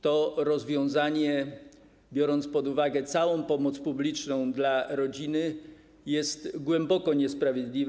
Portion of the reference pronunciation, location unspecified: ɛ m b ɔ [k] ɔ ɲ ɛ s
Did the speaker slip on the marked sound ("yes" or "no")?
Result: no